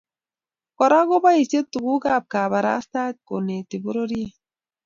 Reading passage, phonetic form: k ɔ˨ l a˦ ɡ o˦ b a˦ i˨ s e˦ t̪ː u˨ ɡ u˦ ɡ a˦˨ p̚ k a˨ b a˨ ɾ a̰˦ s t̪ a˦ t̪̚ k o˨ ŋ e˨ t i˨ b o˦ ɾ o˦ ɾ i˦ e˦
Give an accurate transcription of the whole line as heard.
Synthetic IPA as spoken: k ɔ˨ ɾ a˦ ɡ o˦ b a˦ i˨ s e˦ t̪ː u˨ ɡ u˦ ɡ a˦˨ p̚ k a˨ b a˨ ɾ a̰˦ s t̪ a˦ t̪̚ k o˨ n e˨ t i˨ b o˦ ɾ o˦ ɾ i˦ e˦